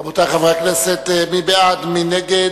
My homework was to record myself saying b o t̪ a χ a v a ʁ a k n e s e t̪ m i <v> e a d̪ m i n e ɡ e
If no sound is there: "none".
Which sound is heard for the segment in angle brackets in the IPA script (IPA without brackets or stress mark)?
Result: b